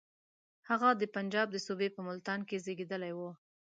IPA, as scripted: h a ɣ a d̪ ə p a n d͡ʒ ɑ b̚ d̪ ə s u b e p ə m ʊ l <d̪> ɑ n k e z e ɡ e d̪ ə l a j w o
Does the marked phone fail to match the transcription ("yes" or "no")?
yes